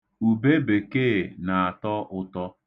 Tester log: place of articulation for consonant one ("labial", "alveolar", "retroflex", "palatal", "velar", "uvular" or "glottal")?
labial